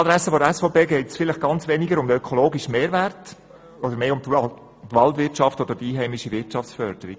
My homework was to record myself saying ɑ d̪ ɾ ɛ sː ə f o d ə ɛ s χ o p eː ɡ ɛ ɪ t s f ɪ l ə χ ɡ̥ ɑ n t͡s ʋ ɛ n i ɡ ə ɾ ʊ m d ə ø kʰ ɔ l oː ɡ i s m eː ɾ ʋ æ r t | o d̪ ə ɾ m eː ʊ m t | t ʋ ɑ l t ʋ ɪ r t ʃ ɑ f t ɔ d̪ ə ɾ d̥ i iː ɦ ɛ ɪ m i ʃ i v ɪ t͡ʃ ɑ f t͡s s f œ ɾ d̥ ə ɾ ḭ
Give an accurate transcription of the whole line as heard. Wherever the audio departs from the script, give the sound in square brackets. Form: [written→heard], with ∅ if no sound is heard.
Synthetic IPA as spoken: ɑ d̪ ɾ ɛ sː ə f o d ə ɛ s [χ→f] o p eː ɡ ɛ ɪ t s f ɪ l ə χ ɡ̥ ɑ n t͡s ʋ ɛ n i ɡ ə ɾ ʊ m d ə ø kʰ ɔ l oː ɡ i [s→ʃ] m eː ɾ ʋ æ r t | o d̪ ə ɾ m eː ʊ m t | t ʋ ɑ l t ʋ ɪ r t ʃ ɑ f t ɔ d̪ ə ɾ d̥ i iː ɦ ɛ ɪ m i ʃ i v ɪ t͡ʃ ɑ f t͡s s f œ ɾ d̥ ə ɾ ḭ